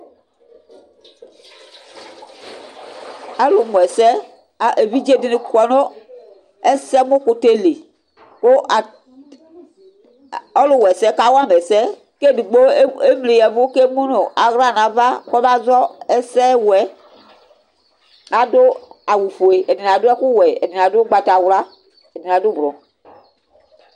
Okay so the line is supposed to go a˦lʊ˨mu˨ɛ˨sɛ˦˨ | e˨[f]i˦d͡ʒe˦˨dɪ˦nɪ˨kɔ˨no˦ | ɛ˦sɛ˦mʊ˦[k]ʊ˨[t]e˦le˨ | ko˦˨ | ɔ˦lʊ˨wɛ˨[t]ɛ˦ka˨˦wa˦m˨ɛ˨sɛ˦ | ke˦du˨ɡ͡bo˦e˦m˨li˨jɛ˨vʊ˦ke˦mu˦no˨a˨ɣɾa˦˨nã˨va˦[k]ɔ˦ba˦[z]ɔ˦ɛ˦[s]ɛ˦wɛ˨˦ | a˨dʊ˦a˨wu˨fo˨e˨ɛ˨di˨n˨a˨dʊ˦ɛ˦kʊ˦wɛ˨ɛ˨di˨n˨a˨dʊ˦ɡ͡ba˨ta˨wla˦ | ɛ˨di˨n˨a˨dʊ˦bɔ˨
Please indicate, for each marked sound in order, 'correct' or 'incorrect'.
incorrect, correct, correct, incorrect, correct, correct, correct

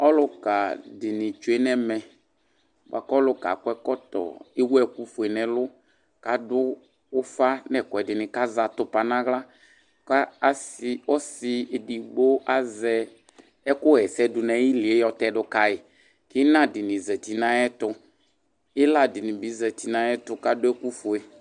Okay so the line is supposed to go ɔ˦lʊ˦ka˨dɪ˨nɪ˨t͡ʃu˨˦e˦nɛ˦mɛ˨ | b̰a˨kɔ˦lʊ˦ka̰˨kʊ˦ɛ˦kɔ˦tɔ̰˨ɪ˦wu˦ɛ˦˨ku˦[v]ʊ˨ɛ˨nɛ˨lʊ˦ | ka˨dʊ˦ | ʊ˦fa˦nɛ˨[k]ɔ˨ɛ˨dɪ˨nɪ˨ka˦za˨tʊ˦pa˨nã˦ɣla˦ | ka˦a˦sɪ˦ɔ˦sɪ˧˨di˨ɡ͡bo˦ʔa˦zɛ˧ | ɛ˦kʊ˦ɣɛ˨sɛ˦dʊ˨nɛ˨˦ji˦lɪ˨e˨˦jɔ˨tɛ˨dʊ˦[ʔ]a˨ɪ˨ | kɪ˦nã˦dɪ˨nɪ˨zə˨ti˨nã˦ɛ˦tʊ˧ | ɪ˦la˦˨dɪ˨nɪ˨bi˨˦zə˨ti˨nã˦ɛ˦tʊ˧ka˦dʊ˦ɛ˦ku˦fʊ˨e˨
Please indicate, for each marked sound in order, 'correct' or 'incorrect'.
incorrect, correct, incorrect

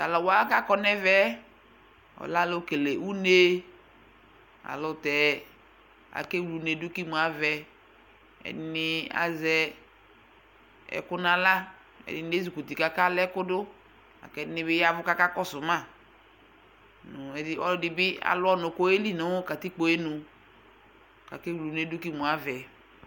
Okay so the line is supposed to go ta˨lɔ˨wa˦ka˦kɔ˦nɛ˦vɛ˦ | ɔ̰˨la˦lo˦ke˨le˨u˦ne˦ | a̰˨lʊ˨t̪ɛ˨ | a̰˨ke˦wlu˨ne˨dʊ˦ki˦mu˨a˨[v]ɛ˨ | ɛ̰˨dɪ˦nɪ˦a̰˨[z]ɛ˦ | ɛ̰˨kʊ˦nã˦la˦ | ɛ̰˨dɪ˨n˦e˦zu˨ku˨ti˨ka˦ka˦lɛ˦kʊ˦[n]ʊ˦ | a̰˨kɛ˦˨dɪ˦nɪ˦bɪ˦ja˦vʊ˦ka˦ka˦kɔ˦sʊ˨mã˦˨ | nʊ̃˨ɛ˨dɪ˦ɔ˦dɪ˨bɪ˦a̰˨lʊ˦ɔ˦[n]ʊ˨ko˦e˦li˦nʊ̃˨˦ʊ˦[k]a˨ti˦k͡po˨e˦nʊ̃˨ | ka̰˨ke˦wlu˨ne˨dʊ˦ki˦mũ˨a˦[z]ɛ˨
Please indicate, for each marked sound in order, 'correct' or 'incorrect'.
correct, correct, incorrect, correct, correct, incorrect

